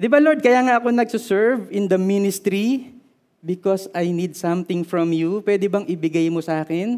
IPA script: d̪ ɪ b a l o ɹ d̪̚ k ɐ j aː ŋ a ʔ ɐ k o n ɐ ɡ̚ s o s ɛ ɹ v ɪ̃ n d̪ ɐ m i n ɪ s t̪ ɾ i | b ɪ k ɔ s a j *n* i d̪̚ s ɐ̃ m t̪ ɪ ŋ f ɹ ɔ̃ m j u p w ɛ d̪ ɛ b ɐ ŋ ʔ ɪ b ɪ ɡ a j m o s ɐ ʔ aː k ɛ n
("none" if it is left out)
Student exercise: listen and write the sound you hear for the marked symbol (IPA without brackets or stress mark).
n